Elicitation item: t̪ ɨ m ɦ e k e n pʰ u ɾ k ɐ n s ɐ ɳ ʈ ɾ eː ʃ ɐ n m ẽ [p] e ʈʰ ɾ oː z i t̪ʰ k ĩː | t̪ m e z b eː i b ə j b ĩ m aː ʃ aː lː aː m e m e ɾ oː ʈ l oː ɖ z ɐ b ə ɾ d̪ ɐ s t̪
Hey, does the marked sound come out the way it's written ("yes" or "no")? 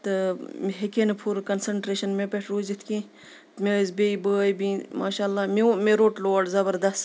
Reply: yes